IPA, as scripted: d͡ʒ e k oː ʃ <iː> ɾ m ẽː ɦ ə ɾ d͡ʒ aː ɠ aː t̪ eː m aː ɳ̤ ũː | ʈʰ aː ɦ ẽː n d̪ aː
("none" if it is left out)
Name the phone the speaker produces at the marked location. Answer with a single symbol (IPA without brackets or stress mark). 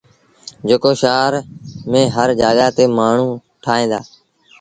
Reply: aː